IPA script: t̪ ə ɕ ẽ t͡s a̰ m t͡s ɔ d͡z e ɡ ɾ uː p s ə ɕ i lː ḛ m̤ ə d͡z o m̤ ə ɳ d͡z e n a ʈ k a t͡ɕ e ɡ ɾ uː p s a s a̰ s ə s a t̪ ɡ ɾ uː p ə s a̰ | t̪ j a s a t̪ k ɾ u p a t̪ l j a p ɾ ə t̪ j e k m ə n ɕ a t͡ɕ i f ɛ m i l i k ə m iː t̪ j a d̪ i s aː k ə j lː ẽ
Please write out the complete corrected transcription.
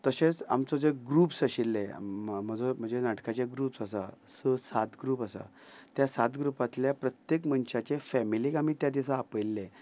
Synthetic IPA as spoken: t̪ ə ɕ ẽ t͡s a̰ m t͡s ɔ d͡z e ɡ ɾ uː p s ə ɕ i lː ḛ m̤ ə d͡z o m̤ ə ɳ d͡z e n a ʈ k a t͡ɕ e ɡ ɾ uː p s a s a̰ s ə s a t̪ ɡ ɾ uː p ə s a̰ | t̪ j a s a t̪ ɡ ɾ u p a t̪ l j a p ɾ ə t̪ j e k m ə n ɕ a t͡ɕ e f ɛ m i l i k a m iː t̪ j a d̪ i s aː p ə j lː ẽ